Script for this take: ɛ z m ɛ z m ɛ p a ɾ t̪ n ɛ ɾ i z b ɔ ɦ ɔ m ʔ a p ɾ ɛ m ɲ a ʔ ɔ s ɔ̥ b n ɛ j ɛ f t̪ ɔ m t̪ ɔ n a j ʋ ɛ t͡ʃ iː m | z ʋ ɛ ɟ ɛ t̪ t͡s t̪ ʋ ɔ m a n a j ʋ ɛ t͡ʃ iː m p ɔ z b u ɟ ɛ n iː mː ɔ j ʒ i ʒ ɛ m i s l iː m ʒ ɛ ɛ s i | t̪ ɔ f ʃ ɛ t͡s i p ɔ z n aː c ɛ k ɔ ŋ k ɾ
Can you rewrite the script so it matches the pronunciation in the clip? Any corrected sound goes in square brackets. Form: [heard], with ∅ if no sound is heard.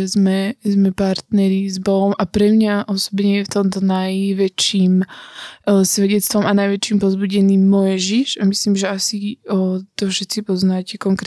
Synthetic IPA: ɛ z m ɛ z m ɛ p a ɾ t̪ n ɛ ɾ i z b ɔ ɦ ɔ m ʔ a p ɾ ɛ m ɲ a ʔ ɔ s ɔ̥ b [ɲ] ɛ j ɛ f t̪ ɔ m t̪ ɔ n a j ʋ ɛ t͡ʃ iː m | [s] ʋ ɛ ɟ ɛ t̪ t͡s t̪ ʋ ɔ m a n a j ʋ ɛ t͡ʃ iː m p ɔ z b u ɟ ɛ n iː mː ɔ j ʒ i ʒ [a] m i s l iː m ʒ ɛ [a] s i | t̪ ɔ f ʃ ɛ t͡s i p ɔ z n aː c ɛ k ɔ ŋ k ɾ